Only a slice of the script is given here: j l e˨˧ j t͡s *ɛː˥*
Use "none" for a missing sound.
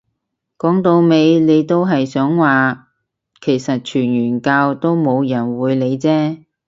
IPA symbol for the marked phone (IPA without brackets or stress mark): ɛː˥